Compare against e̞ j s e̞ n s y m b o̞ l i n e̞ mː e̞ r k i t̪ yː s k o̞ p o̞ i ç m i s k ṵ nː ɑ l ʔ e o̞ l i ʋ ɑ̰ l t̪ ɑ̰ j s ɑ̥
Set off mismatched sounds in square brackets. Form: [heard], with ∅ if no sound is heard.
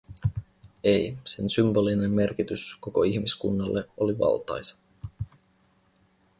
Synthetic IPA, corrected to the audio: e̞ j s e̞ n s y m b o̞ l i n e̞ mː e̞ r k i t̪ [y] s k o̞ [k] o̞ i ç m i s k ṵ nː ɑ [lː] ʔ e o̞ l i ʋ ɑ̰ l t̪ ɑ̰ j s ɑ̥